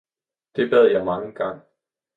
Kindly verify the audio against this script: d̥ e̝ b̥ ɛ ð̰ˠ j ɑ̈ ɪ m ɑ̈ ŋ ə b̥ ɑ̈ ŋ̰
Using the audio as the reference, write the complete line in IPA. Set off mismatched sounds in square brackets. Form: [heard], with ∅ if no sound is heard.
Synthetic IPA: d̥ e̝ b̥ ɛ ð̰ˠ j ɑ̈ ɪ m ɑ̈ ŋ ə [ɡ̥] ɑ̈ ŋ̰